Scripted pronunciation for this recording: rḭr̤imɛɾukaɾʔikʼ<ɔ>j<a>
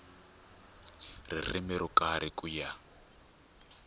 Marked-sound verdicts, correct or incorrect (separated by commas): incorrect, correct